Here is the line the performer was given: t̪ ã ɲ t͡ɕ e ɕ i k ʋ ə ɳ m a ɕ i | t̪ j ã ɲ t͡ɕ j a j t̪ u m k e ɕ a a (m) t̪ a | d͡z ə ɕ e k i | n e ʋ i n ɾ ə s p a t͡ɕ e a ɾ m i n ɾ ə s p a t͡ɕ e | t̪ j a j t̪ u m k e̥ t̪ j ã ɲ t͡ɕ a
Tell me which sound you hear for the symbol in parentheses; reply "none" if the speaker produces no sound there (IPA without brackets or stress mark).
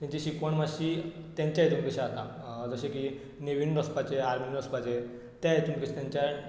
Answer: none